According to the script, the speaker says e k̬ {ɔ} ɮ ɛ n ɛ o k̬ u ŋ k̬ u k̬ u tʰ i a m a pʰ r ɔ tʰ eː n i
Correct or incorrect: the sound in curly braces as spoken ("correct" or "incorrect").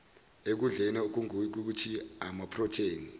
incorrect